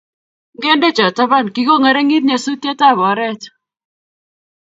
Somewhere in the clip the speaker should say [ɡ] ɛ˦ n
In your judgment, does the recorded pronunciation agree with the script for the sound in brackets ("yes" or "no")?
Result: yes